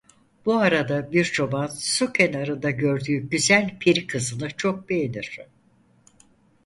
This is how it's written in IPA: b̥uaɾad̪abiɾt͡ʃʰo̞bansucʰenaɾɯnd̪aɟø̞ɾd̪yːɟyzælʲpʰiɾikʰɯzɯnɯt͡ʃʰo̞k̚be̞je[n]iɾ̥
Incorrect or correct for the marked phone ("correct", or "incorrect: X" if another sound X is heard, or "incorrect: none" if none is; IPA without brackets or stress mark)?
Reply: correct